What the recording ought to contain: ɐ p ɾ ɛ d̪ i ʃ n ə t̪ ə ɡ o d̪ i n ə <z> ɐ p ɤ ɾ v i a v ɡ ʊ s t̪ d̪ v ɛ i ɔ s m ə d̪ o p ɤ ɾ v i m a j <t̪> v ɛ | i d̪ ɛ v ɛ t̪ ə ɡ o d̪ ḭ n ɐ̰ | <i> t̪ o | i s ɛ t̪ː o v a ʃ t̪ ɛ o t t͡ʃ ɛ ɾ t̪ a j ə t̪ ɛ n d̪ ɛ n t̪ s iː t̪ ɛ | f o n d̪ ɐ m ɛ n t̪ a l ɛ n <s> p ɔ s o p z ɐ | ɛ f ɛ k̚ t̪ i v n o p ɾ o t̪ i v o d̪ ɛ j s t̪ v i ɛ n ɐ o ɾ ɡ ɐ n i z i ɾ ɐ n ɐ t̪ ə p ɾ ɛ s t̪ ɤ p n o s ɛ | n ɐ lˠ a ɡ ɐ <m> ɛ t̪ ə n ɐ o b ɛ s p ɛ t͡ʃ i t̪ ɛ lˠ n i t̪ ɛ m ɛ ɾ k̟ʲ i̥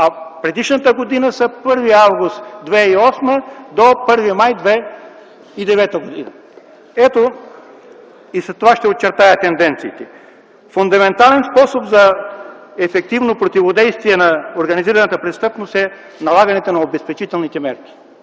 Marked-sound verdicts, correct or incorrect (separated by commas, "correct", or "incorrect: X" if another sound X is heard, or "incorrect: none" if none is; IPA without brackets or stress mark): incorrect: s, incorrect: d̪, incorrect: ɛ, correct, incorrect: n